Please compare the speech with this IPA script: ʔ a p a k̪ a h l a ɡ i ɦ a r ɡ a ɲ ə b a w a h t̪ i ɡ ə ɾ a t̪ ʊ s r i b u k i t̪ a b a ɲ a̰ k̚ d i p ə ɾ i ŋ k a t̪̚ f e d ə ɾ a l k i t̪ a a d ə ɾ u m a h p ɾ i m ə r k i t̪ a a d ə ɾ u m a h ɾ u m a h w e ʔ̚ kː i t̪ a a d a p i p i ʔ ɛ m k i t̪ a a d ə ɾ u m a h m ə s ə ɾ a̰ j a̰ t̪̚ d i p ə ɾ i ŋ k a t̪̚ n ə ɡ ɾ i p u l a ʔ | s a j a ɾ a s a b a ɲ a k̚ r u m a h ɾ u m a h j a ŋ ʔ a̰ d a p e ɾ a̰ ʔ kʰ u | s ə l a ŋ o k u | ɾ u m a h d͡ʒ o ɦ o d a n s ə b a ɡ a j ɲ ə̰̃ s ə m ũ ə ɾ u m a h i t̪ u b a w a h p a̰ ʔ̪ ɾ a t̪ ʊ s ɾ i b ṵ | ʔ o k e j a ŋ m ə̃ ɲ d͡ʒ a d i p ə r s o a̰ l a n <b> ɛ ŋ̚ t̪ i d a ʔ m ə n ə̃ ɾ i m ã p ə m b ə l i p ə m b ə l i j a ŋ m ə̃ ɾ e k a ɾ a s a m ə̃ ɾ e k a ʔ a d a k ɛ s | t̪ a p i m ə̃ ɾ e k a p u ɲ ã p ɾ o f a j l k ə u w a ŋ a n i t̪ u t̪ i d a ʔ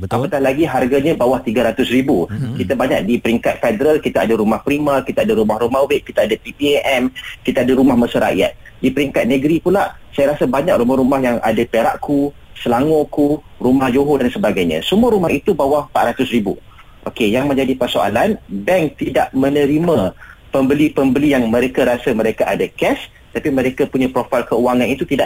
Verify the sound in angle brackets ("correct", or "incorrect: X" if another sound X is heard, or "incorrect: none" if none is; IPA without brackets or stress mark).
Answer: correct